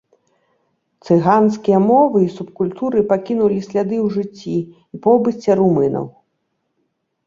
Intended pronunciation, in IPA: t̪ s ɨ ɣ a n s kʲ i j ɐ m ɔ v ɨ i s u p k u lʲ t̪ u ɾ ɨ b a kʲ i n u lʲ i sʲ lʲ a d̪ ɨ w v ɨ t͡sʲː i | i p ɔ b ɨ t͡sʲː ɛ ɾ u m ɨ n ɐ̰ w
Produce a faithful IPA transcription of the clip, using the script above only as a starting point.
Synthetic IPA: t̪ s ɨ ɣ a n s kʲ i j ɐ m ɔ v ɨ i s u p k u lʲ t̪ u ɾ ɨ p a kʲ i n u lʲ i sʲ lʲ a d̪ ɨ w ʐ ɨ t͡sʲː i | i p ɔ b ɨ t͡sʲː ɛ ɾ u m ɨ n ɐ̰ w